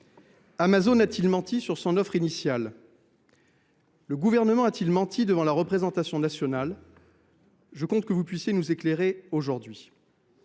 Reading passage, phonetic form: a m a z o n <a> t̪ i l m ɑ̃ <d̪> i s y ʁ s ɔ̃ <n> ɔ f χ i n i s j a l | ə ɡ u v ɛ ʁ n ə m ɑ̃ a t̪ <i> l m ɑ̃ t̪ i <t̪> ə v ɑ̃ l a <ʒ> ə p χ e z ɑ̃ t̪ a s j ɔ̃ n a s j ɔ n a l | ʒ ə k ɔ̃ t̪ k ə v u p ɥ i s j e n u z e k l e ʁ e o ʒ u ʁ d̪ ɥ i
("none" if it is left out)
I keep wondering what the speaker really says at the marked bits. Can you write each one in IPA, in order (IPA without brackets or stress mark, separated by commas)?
a, t̪, n, i, d̪, ʁ